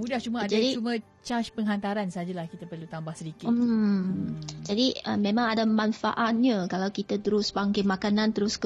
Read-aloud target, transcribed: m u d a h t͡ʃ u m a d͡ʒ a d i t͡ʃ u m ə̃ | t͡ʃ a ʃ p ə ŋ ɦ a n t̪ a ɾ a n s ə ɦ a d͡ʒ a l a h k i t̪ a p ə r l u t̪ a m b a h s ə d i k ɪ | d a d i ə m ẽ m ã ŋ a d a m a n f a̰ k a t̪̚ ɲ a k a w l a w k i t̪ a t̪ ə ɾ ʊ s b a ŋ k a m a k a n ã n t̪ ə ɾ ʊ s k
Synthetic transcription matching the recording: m u d a h t͡ʃ u m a d͡ʒ a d i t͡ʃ u m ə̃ | t͡ʃ a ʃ p ə ŋ ɦ a n t̪ a ɾ a n s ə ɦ a d͡ʒ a l a h k i t̪ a p ə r l u t̪ a m b a h s ə d i k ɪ | d͡ʒ a d i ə m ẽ m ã ŋ a d a m a n f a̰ ʔ a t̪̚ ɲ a k a l a w k i t̪ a t̪ ə ɾ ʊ s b a ŋ k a m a k a n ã n t̪ ə ɾ ʊ s k